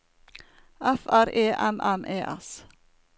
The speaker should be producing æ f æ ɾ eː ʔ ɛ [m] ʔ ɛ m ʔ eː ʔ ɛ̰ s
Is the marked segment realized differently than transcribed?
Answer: no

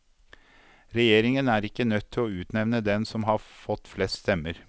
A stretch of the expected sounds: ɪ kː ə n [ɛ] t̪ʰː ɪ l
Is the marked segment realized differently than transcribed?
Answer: yes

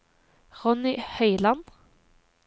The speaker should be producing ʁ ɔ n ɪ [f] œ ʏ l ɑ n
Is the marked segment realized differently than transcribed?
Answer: yes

